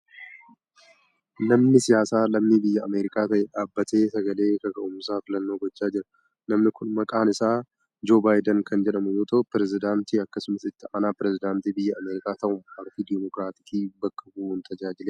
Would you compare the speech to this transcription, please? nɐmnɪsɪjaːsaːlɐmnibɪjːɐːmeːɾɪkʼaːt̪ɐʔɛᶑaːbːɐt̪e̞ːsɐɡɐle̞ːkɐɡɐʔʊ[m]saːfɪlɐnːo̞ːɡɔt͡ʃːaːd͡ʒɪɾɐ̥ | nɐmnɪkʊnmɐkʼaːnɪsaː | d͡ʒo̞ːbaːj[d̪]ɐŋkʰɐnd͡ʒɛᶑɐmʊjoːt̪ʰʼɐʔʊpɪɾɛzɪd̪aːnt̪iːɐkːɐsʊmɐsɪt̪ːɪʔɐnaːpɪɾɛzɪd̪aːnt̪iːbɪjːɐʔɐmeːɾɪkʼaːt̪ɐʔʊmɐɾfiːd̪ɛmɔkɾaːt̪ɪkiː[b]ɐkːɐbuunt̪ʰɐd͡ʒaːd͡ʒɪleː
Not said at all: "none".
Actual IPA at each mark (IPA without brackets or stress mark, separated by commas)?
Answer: m, d̪, b